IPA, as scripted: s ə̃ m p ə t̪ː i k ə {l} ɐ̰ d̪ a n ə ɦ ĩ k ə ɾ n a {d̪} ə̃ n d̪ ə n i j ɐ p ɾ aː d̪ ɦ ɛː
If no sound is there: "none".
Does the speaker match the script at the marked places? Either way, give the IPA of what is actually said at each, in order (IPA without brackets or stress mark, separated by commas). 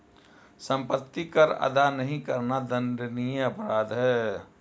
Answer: ɾ, d̪